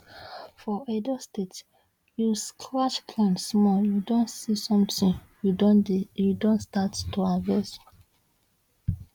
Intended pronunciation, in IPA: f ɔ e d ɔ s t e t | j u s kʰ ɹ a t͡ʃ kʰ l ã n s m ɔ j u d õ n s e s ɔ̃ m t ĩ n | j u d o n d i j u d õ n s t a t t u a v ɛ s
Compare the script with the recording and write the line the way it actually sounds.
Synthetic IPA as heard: f ɔ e d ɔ s t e t | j u s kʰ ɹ a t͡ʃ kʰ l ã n s m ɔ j u d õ n s i s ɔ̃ m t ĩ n | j u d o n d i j u d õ n s t a t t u a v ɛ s